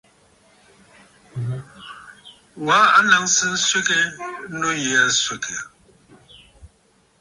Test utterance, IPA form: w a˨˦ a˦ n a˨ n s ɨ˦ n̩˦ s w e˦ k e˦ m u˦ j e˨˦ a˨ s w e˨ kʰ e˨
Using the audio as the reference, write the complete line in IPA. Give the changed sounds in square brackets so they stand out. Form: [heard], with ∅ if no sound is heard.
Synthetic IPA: w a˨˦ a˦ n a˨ [ŋ] s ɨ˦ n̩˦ s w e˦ k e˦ [n] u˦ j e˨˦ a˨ s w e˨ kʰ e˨

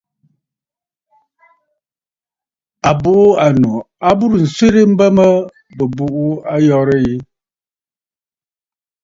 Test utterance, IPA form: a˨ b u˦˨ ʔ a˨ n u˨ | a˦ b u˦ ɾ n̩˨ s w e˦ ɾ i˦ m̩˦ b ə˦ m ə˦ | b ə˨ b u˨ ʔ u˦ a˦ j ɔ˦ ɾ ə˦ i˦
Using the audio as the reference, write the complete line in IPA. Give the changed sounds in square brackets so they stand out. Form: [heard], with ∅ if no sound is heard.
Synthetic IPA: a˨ b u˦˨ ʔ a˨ n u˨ | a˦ b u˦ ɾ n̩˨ s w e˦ ɾ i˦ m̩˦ b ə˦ m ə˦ | b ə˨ b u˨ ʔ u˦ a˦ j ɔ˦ ɾ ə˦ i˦

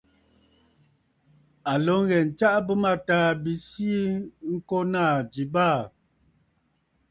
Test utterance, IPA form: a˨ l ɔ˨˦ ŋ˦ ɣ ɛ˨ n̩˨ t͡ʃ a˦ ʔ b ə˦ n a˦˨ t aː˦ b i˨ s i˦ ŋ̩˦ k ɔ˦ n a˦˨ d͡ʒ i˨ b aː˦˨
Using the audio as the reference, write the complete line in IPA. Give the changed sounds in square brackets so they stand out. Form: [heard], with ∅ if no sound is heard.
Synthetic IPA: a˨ l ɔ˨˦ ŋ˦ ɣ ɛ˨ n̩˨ t͡ʃ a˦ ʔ b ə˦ [m] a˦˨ t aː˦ b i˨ s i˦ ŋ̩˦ k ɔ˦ n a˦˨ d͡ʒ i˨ b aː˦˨

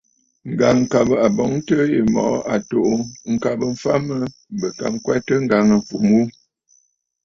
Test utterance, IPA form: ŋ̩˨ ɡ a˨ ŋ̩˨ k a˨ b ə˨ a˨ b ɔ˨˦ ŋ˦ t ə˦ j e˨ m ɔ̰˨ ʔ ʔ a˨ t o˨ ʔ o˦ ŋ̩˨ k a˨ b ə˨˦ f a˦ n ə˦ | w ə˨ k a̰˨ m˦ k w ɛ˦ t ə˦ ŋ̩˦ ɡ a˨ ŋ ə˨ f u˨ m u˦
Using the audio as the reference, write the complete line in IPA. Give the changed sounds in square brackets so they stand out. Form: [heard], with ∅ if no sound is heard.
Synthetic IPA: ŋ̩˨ ɡ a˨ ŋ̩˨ k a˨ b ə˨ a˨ b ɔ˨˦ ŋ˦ t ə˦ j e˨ m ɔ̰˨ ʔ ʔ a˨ t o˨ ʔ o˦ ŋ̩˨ k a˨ b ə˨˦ f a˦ [m] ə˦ | [b] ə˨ k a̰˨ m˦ k w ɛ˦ t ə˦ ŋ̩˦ ɡ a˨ ŋ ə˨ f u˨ m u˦

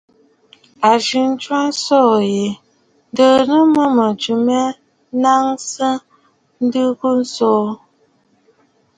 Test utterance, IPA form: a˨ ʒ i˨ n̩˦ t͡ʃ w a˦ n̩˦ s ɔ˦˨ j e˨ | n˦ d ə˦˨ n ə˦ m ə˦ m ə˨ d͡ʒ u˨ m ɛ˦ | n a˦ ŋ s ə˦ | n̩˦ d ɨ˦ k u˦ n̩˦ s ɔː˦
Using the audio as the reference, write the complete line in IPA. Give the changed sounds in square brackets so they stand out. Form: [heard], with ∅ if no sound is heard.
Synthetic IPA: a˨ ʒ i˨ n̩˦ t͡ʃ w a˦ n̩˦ s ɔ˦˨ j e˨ | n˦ d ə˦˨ n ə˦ m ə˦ m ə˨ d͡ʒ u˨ m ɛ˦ | n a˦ ŋ s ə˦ | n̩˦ d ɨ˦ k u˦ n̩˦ s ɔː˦

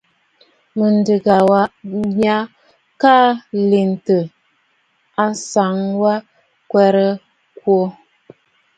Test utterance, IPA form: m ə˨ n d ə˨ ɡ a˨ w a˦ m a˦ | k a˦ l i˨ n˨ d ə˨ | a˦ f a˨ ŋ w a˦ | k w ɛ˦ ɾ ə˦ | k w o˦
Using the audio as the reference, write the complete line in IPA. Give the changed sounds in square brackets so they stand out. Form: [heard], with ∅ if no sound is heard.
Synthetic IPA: m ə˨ n d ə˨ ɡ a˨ w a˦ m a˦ | k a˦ l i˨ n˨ [t] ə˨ | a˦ [s] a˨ ŋ w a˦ | k w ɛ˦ ɾ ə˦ | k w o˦

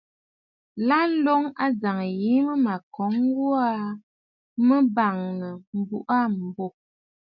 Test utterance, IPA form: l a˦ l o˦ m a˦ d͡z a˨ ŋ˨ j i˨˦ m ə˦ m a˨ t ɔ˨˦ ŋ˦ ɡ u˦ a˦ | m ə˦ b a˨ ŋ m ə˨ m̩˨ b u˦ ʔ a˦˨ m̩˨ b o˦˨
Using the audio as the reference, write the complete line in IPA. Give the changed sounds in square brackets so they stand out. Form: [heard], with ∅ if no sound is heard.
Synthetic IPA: l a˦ l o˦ [ŋ] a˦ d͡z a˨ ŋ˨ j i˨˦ m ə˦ m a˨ [k] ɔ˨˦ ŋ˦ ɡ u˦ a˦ | m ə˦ b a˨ ŋ [n] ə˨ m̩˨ b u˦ ʔ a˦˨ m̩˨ b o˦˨

